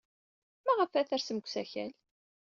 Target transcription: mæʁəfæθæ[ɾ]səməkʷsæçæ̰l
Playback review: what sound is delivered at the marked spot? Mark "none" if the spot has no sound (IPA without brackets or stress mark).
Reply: ɾ